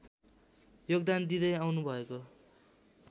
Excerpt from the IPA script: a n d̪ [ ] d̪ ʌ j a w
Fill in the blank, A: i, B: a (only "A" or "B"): A